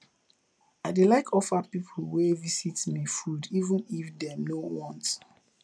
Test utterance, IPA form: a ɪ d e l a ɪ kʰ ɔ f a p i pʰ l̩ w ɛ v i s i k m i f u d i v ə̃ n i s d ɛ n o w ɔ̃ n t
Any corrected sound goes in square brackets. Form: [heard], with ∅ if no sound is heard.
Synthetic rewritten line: a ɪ d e l a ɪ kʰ ɔ f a p i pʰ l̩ w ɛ v i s i [t] m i f u d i v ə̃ n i [f] d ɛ n o w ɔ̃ n t